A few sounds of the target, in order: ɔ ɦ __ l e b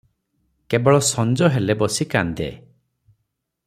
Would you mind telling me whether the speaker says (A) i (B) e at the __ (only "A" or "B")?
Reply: B